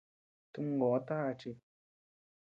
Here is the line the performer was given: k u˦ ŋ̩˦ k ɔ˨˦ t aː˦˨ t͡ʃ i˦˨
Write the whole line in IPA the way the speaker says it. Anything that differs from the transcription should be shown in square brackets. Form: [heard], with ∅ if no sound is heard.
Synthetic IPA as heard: [t] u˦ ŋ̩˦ [ɡ] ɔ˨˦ t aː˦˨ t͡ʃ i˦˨